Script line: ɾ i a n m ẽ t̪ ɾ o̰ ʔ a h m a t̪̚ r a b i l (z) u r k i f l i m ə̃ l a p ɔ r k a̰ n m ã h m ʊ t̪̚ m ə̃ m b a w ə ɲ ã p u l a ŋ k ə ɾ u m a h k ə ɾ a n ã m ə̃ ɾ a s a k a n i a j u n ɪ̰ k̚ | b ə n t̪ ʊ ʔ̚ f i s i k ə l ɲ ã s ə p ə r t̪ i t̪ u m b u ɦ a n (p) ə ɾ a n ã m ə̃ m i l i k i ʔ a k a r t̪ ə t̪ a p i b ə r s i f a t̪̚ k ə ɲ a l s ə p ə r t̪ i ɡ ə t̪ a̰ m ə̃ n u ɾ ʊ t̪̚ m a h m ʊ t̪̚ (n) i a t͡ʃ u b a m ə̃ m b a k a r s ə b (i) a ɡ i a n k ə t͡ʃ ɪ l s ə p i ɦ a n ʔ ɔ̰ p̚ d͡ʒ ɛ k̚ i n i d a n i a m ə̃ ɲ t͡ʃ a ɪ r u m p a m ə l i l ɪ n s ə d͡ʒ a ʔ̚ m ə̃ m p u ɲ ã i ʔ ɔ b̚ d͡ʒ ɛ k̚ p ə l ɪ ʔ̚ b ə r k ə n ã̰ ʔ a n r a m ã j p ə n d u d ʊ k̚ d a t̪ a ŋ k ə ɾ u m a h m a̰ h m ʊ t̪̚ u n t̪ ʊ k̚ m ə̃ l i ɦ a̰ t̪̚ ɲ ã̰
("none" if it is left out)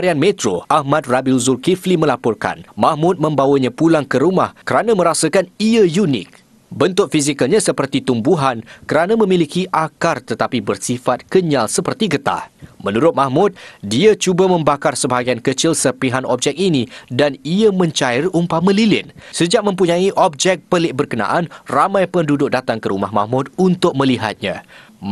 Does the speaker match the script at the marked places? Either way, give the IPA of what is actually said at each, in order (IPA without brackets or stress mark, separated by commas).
z, k, d, a